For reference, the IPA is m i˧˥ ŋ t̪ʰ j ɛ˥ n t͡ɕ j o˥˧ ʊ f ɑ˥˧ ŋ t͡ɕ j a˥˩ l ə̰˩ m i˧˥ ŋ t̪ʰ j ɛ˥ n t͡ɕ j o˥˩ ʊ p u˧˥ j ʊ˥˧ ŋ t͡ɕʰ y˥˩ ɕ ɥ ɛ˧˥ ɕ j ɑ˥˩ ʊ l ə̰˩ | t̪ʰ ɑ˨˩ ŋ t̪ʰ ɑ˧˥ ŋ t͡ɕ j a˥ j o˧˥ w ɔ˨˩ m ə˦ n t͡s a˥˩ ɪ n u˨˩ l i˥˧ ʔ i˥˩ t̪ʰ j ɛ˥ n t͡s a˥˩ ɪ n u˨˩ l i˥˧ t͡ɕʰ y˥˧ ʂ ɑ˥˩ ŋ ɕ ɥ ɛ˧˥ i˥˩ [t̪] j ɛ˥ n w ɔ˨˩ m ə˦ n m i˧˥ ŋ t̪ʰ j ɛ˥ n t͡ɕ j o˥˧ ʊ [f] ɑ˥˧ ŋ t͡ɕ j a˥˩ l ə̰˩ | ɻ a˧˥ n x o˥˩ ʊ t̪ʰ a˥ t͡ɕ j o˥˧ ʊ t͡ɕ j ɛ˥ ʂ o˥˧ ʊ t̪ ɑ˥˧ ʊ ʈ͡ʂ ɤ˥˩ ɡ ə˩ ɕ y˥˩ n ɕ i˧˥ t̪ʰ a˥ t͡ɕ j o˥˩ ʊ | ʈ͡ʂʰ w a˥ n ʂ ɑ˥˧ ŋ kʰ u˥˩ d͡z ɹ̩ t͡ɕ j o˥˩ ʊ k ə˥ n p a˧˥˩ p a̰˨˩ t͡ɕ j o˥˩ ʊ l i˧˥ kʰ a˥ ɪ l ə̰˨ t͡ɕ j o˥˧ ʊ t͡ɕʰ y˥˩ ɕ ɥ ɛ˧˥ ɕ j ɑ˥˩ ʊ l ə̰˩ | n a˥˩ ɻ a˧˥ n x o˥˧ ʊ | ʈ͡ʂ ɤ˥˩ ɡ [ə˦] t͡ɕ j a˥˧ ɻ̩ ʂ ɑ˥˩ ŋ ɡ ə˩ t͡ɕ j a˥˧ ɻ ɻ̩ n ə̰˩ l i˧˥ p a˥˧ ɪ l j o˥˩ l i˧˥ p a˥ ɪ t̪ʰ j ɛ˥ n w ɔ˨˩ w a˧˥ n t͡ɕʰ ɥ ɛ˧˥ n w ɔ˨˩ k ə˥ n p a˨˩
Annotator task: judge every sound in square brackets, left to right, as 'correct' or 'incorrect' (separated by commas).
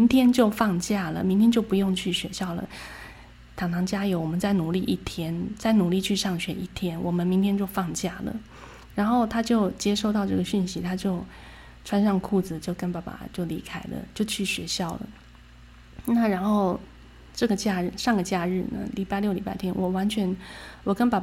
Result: incorrect, correct, incorrect